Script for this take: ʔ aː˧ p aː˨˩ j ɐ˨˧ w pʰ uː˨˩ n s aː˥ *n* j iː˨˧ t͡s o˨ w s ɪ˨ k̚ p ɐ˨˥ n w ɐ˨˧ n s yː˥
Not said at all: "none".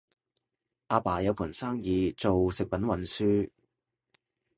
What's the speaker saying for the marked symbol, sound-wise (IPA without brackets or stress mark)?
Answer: ŋ